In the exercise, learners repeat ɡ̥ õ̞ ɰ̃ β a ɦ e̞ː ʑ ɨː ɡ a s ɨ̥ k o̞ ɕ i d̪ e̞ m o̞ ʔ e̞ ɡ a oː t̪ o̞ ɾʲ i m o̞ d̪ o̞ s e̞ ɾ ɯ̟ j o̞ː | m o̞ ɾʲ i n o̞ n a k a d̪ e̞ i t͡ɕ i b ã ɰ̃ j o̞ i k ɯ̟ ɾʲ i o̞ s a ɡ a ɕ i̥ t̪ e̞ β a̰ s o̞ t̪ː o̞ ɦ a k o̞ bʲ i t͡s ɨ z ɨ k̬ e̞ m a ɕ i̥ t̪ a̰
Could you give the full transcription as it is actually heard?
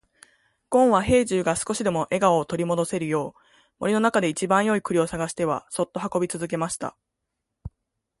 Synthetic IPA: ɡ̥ õ̞ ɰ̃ β a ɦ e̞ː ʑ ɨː ɡ a s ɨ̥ k o̞ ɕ i d̪ e̞ m o̞ ʔ e̞ ɡ a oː t̪ o̞ ɾʲ i m o̞ d̪ o̞ s e̞ ɾ ɯ̟ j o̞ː | m o̞ ɾʲ i n o̞ n a k a d̪ e̞ i t͡ɕ i b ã ɰ̃ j o̞ i k ɯ̟ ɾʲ i o̞ s a ɡ a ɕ i̥ t̪ e̞ β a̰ s o̞ t̪ː o̞ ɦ a k o̞ bʲ i t͡s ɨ z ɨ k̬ e̞ m a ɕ i̥ t̪ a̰